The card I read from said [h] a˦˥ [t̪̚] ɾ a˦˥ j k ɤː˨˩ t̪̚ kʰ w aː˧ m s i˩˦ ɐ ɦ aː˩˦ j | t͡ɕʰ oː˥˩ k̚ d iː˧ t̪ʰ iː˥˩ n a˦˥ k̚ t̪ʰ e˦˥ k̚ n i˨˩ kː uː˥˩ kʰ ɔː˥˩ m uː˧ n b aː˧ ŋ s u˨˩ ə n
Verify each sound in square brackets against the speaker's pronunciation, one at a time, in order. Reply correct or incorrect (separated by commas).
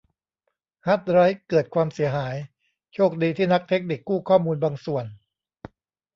correct, correct